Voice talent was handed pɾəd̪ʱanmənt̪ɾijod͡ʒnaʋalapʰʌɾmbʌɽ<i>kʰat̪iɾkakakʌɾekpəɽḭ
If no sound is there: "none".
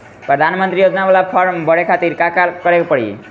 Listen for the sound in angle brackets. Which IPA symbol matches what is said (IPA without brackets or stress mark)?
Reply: e